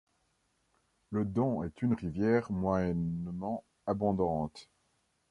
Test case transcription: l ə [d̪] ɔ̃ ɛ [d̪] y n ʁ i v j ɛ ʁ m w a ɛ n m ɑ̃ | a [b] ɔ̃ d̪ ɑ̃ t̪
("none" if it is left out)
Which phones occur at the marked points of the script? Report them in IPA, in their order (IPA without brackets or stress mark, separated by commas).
d̪, t̪, b